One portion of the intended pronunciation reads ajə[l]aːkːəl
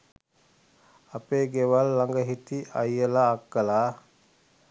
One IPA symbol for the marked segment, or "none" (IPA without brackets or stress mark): l